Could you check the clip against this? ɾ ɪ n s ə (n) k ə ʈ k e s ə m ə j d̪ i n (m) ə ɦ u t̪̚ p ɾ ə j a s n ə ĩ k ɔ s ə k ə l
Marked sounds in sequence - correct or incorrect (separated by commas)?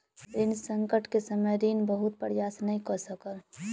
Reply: incorrect, incorrect